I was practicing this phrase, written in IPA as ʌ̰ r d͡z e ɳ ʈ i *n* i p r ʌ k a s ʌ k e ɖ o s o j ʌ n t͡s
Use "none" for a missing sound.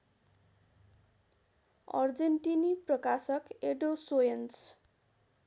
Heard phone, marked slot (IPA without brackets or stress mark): n